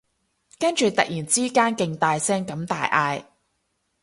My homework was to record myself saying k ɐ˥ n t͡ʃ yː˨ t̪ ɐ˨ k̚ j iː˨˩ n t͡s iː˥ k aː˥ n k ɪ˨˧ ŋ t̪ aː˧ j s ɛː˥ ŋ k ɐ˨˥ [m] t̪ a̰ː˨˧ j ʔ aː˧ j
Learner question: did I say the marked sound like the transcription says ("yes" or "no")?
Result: yes